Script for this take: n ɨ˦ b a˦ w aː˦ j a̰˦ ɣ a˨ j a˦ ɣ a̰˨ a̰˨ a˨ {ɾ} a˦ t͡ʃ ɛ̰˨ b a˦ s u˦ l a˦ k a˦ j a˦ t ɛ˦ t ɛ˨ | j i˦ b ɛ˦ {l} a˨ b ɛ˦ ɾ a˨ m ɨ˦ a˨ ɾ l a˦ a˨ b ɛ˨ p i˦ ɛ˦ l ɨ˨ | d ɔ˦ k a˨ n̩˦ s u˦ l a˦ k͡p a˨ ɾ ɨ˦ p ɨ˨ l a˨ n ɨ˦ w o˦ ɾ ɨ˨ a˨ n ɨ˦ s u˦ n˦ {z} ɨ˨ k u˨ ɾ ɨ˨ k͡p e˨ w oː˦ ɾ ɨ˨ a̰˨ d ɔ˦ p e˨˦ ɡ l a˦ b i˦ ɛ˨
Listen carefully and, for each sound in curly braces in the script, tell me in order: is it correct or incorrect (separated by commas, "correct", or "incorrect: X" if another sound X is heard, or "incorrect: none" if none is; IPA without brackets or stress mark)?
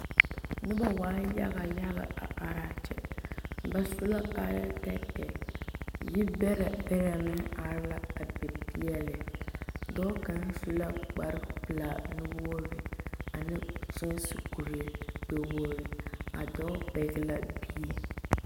correct, incorrect: ɾ, incorrect: s